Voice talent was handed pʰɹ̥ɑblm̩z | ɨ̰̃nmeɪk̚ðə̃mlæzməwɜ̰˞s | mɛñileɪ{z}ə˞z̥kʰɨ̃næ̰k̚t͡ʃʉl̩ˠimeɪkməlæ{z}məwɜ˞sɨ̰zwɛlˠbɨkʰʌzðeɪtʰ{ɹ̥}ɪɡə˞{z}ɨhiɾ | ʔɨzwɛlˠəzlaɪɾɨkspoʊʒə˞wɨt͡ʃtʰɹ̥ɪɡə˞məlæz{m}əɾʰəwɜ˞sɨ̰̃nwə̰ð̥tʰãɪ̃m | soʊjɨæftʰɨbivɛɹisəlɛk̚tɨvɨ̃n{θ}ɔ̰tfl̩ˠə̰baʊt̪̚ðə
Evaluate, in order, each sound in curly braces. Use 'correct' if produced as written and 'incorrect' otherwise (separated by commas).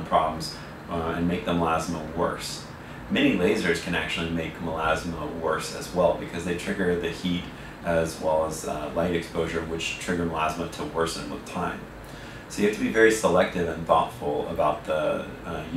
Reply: correct, correct, correct, incorrect, correct, correct